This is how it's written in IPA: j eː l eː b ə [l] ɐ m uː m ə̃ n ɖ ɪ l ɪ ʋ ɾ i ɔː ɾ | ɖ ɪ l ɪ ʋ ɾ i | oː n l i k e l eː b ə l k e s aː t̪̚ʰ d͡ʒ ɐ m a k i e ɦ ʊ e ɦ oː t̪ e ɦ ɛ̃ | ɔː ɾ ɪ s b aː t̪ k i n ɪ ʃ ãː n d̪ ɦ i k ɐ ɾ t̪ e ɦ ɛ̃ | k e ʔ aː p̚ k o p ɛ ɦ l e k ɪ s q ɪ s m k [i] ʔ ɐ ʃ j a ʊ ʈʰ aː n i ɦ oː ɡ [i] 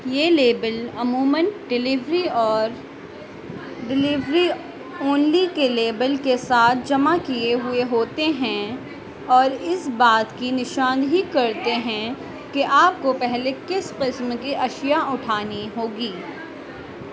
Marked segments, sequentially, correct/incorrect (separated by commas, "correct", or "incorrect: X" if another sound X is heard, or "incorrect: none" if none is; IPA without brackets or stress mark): correct, correct, incorrect: iː